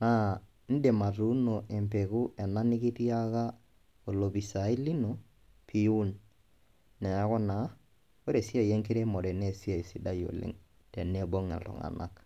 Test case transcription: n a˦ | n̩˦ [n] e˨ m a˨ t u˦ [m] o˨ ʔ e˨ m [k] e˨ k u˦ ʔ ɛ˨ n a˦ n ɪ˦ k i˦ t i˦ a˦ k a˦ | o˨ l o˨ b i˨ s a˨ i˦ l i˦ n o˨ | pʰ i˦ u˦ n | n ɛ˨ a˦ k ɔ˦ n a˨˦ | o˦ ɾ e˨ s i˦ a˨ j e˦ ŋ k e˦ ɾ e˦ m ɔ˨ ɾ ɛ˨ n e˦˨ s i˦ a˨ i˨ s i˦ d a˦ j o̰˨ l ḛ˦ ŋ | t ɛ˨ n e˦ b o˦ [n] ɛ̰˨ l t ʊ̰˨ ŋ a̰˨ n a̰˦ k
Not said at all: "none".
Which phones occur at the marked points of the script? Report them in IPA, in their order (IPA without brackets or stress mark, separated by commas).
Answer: d, n, p, ŋ